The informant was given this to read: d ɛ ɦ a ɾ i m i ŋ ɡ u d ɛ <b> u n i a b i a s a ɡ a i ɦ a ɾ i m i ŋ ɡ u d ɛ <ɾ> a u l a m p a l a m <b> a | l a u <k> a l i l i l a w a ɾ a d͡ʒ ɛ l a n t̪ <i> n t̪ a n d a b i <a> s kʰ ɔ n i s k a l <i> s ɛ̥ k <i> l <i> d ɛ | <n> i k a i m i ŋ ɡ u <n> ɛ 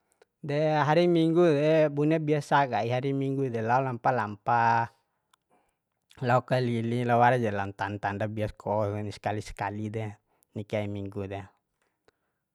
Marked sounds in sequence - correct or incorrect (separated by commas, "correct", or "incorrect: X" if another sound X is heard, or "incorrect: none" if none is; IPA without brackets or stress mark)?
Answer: correct, incorrect: l, incorrect: p, correct, incorrect: a, correct, correct, incorrect: a, correct, correct, incorrect: d